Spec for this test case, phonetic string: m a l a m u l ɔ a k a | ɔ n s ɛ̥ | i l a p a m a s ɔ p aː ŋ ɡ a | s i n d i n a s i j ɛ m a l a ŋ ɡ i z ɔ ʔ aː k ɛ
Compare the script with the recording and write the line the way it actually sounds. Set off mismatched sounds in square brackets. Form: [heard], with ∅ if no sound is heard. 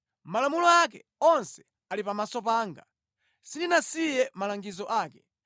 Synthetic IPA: m a l a m u l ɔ a k [ɛ] | ɔ n s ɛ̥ | [a] l [i] p a m a s ɔ p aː ŋ ɡ a | s i n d i n a s i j ɛ m a l a ŋ ɡ i z ɔ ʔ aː k ɛ